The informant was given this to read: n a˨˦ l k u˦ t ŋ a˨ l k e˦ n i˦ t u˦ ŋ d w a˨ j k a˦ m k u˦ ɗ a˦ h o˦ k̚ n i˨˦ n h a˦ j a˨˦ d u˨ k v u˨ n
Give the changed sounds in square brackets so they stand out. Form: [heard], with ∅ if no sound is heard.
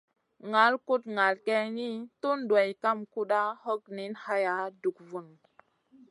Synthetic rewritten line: [ŋ] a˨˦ l k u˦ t ŋ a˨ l k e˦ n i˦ t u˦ [n] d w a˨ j k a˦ m k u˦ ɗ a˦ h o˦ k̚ n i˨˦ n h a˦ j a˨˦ d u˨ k v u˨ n